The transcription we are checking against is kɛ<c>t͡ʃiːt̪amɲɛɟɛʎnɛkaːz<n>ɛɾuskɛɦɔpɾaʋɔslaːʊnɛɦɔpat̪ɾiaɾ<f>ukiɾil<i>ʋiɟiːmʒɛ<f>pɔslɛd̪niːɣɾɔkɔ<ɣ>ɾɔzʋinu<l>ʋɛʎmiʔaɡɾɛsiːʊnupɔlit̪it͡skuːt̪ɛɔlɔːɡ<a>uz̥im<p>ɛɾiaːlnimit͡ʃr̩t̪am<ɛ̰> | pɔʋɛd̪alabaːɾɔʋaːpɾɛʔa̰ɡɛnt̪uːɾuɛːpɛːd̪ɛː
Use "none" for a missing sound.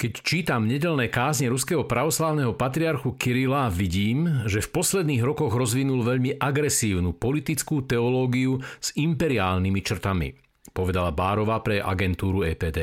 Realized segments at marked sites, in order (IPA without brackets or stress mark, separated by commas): c, ɲ, x, a, f, ɣ, l, i, p, ḭ